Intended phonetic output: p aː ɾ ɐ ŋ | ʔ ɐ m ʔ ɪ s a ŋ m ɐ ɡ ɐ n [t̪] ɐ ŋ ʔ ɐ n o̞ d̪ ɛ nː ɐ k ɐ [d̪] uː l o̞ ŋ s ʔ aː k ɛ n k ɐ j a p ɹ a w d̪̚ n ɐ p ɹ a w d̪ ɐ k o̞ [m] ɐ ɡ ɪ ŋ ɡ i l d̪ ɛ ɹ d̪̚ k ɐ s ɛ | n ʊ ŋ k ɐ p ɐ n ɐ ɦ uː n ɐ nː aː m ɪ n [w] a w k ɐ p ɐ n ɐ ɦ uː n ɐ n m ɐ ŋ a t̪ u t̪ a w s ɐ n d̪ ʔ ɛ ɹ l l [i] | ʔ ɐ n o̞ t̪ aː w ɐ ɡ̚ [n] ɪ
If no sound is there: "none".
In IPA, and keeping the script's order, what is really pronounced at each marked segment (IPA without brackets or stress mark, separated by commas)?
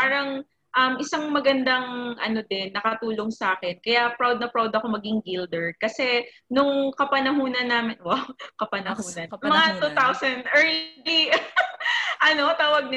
d̪, t̪, m, w, i, n